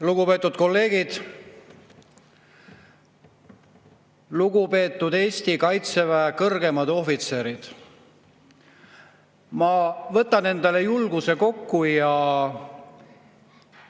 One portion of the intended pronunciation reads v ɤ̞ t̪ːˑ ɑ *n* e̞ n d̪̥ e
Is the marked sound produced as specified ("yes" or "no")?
yes